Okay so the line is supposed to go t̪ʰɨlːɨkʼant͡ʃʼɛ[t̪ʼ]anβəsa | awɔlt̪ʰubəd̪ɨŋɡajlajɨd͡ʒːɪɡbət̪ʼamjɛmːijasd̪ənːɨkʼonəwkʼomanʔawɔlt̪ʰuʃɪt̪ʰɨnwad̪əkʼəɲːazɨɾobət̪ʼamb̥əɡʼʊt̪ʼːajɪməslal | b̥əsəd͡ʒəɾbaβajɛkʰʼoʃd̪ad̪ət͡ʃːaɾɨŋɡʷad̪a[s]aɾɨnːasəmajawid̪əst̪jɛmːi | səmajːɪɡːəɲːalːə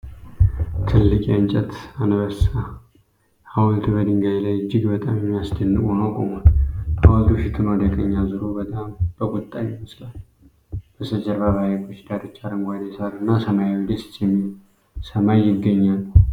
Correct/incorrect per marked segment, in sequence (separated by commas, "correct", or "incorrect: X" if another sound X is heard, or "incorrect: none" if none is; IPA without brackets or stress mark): incorrect: t̪, correct